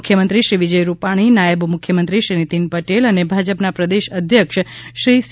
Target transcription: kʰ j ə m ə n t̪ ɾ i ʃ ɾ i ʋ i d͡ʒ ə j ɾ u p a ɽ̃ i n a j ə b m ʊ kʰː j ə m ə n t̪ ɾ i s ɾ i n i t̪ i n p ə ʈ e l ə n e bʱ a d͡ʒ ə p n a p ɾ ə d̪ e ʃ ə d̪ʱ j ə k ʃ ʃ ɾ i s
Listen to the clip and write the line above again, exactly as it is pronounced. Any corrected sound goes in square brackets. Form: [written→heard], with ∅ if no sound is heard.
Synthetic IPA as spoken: kʰ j ə m ə n t̪ ɾ i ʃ ɾ i ʋ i d͡ʒ ə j ɾ u p a ɽ̃ i n a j ə b m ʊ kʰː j ə m ə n t̪ ɾ i [s→ʃ] ɾ i n i t̪ i n p ə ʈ e l ə n e bʱ a d͡ʒ ə p n a p ɾ ə d̪ e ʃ ə d̪ʱ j ə k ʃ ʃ ɾ i s